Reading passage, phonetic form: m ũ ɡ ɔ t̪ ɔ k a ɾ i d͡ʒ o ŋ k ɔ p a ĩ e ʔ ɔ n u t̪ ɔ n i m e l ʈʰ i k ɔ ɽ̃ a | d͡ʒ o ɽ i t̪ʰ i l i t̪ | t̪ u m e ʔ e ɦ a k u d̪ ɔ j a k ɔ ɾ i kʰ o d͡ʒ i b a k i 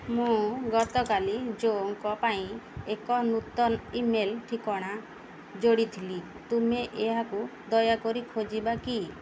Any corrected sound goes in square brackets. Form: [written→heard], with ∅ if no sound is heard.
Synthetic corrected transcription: m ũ ɡ ɔ t̪ ɔ k a [ɾ→l] i d͡ʒ o ŋ k ɔ p a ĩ e [ʔ→k] ɔ n u t̪ ɔ n i m e l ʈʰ i k ɔ ɽ̃ a | d͡ʒ o ɽ i t̪ʰ i l i [t̪→∅] | t̪ u m e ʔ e ɦ a k u d̪ ɔ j a k ɔ ɾ i kʰ o d͡ʒ i b a k i